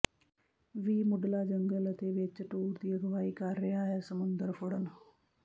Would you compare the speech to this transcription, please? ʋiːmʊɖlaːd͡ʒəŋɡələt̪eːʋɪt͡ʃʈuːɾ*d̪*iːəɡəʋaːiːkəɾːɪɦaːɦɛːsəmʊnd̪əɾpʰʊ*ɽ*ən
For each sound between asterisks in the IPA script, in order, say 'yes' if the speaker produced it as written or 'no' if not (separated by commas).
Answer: yes, yes